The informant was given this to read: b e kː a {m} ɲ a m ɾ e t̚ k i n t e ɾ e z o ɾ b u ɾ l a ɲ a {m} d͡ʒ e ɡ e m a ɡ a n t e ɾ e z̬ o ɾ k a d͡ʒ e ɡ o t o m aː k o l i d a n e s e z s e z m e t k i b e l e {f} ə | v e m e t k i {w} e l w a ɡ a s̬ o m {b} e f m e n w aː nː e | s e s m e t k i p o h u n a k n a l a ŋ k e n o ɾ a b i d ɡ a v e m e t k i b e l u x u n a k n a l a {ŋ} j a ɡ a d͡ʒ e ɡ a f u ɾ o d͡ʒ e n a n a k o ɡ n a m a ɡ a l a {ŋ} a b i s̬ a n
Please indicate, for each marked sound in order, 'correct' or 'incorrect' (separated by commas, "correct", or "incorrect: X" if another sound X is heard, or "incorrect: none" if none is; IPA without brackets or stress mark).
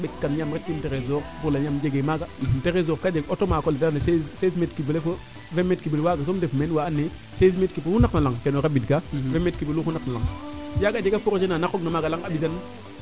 incorrect: n, correct, correct, incorrect: b, incorrect: d, correct, correct